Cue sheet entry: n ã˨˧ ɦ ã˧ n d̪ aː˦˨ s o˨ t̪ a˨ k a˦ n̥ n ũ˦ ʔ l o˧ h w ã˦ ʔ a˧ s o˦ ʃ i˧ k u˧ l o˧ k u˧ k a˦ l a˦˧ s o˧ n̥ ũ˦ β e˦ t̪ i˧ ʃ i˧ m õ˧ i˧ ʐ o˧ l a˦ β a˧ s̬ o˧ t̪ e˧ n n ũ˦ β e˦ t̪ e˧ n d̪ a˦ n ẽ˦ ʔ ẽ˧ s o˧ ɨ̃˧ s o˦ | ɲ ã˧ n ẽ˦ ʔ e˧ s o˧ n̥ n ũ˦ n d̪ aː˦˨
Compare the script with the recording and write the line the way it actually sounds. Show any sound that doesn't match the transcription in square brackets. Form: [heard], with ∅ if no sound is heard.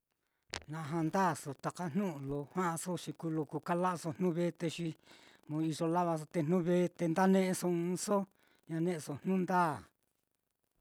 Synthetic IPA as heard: n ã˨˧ ɦ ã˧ n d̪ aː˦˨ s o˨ t̪ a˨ k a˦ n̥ n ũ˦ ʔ l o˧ h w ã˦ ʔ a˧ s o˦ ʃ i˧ k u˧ l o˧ k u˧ k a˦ l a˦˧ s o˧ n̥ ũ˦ β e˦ t̪ [e˧] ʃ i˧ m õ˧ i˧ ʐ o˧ l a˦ β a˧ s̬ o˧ t̪ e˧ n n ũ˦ β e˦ t̪ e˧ n d̪ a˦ n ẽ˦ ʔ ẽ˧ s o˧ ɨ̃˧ s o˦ | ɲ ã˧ n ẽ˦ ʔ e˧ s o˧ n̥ n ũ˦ n d̪ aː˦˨